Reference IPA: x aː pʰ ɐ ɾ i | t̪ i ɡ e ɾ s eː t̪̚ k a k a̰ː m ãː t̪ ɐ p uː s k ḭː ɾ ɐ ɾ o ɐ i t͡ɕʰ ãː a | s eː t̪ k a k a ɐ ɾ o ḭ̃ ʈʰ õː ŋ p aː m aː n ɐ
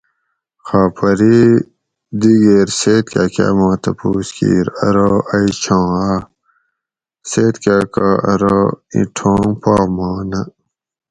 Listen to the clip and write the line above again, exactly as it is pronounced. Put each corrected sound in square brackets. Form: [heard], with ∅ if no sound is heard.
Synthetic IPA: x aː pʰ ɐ ɾ i | [d̪] i ɡ e ɾ s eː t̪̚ k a k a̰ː m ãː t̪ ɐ p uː s k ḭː ɾ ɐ ɾ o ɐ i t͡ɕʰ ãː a | s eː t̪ k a k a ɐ ɾ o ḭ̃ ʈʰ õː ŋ p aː m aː n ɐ